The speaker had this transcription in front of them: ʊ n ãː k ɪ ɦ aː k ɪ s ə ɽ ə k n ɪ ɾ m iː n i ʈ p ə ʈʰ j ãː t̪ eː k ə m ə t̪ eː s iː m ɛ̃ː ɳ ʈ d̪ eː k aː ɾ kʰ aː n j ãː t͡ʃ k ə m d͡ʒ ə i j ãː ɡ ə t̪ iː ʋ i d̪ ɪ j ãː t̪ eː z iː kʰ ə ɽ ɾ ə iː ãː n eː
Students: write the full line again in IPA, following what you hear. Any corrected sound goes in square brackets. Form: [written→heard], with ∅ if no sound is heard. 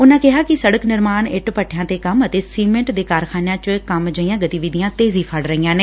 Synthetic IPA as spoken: ʊ n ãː k ɪ ɦ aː k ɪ s ə ɽ ə k n ɪ ɾ m [iː→aː] n [i→ɪ] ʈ p ə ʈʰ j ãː t̪ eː k ə m ə t̪ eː s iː m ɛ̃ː ɳ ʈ d̪ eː k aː ɾ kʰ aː n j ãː t͡ʃ k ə m d͡ʒ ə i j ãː ɡ ə t̪ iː ʋ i d̪ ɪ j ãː t̪ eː z iː [kʰ→pʰ] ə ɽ ɾ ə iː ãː n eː